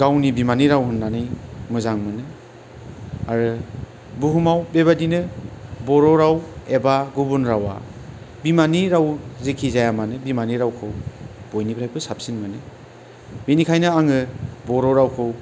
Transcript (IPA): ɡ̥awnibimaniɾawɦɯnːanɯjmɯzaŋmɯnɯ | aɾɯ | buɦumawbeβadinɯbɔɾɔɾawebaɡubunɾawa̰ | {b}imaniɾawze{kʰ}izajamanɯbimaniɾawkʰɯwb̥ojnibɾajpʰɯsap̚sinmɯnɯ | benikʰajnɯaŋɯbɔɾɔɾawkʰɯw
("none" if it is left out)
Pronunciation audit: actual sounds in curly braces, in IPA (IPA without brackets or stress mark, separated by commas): b, kʰ